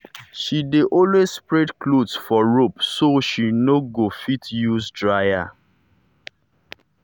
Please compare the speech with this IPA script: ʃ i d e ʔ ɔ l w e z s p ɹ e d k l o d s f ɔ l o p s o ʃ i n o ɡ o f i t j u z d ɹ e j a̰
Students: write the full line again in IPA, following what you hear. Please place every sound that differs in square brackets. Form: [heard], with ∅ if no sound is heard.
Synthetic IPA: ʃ i d e ʔ ɔ l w e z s p ɹ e d k l o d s f ɔ [ɹ] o p s o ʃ i n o ɡ o f i t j u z d ɹ [a] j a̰